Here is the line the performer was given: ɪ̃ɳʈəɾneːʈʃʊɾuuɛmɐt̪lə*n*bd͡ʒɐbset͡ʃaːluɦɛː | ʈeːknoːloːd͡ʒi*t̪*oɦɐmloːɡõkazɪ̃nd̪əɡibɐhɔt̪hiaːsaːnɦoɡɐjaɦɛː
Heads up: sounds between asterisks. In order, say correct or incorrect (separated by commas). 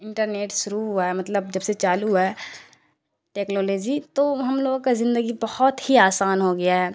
incorrect, correct